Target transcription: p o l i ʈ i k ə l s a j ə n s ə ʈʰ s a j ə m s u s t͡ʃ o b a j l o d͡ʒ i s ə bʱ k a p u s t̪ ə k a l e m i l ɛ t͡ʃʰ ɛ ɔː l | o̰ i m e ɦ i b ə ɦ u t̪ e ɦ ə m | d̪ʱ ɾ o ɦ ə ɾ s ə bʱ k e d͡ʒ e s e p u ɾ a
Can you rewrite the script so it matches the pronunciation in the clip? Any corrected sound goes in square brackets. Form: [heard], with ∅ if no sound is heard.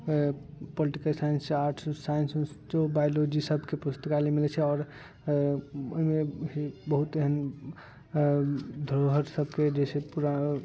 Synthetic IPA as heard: p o l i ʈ i k ə l s a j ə n s [a] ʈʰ s a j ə [n] s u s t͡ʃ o b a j l o d͡ʒ i s ə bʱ k [e] p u s t̪ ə k a l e m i l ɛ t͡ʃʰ ɛ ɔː [ɾ] | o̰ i m e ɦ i b ə ɦ u t̪ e ɦ ə [n] | d̪ʱ ɾ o ɦ ə ɾ s ə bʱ k e d͡ʒ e s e p u ɾ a